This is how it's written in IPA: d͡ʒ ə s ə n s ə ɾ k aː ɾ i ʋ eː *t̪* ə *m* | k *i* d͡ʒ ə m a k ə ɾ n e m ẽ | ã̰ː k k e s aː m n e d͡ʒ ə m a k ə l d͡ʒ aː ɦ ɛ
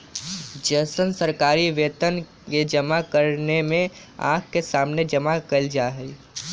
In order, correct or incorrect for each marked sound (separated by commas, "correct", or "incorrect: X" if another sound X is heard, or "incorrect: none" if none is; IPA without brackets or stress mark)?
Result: correct, incorrect: n, incorrect: e